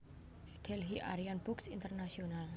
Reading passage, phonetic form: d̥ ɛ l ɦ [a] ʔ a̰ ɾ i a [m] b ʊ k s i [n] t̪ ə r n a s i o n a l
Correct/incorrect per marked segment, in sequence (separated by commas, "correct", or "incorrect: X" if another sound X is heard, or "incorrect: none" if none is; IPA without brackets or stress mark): incorrect: i, incorrect: n, correct